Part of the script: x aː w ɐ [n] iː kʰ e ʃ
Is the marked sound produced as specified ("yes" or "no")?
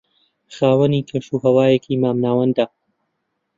yes